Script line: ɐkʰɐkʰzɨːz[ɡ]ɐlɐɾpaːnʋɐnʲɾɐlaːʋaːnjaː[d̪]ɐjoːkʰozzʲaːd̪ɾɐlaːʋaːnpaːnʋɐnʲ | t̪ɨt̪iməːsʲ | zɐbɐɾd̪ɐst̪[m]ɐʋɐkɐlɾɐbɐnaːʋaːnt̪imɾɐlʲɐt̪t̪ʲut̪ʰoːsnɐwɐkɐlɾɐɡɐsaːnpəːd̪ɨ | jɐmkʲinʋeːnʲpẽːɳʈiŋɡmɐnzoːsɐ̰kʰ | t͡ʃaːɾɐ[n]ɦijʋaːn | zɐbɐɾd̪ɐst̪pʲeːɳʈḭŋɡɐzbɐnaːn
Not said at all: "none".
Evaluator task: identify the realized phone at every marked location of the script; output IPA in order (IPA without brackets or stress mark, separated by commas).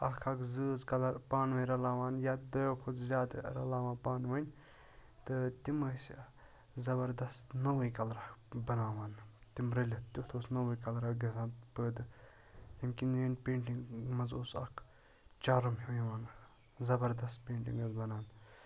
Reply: k, d̪, n, m